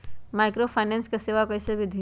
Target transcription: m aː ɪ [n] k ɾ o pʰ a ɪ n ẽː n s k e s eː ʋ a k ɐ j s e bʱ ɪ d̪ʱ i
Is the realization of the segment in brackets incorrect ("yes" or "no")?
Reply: yes